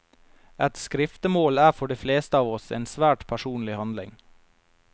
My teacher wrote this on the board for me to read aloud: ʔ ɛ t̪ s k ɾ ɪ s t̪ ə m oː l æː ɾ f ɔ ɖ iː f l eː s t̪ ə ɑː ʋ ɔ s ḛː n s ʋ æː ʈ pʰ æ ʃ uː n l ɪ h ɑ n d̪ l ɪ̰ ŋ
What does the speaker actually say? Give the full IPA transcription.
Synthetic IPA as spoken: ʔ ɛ t̪ s k ɾ ɪ f t̪ ə m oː l æː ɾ f ɔ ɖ iː f l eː s t̪ ə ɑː ʋ ɔ s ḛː n s ʋ æː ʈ pʰ æ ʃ uː n l ɪ h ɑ n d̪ l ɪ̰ ŋ